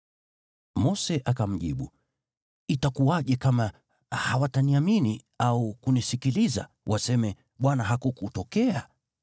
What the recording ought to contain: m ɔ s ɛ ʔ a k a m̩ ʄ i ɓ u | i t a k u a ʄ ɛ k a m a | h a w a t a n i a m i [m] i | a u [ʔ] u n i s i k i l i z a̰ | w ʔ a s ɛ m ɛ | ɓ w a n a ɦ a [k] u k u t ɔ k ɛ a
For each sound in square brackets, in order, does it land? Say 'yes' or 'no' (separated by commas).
no, no, yes